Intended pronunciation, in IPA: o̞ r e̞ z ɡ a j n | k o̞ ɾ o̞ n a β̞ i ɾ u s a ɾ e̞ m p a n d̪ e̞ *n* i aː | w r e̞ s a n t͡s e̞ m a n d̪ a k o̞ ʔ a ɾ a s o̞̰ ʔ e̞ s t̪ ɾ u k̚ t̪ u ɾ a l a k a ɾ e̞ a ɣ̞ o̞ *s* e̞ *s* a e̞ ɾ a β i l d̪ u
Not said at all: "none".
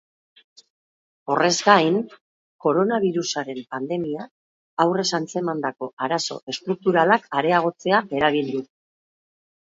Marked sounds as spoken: m, t͡s, none

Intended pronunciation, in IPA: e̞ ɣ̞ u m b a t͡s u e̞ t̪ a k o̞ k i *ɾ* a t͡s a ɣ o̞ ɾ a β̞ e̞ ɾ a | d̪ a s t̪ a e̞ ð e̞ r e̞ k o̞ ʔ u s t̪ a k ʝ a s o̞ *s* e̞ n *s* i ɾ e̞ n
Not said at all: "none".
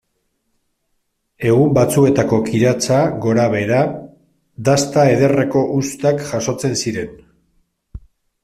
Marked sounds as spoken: ɾ, t͡s, s

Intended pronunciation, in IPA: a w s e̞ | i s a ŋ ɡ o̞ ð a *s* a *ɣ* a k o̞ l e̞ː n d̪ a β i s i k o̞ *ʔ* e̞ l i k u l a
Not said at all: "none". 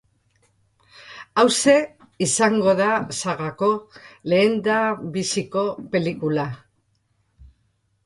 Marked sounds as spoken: s, ɣ, p

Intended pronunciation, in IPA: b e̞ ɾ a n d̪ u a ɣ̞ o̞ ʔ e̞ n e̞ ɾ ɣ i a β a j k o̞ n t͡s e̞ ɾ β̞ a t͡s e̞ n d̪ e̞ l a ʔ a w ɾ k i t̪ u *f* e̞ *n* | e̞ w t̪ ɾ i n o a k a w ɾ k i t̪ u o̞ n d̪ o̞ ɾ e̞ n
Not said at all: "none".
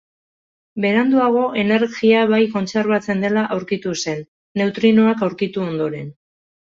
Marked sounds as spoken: s, nː

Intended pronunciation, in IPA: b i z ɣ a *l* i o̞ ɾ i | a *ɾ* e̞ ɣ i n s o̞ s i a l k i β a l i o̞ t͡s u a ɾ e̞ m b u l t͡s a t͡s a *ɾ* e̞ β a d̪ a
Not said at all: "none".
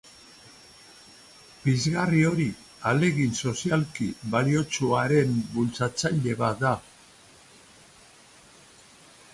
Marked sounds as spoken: r, l, ʎ

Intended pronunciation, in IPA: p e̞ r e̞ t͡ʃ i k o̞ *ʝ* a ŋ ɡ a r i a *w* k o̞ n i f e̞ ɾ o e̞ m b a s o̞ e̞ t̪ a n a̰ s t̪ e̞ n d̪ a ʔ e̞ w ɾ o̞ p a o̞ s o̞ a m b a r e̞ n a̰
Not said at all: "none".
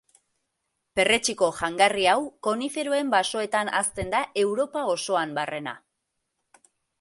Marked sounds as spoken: ʝ, w

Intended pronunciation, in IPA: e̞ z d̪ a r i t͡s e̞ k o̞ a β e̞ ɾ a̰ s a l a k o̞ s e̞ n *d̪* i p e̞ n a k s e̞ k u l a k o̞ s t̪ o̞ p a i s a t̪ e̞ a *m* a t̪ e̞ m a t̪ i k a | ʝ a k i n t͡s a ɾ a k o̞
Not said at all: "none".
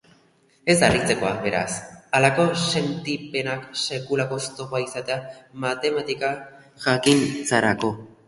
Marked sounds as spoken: t̪, m

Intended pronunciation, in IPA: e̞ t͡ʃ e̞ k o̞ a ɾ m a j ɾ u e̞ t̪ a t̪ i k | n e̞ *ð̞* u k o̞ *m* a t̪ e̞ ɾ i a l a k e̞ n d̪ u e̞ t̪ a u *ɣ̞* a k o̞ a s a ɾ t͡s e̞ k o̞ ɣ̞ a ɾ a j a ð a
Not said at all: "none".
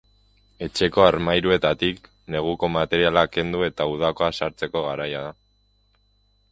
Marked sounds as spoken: ɣ̞, m, ð̞

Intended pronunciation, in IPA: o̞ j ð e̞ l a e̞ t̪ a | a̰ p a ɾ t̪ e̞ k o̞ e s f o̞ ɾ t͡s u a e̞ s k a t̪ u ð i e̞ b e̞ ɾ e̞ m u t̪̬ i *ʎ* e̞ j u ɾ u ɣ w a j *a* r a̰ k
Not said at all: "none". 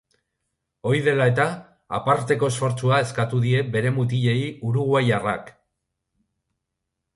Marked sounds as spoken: ʎ, a

